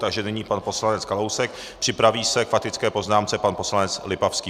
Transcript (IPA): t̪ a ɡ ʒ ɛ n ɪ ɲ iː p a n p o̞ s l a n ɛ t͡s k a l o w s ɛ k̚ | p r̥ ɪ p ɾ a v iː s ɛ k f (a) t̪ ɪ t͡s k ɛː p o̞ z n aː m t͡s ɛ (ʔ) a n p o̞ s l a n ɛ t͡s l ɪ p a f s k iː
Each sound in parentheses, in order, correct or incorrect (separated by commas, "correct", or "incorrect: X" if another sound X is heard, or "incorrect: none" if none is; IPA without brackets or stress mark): correct, incorrect: p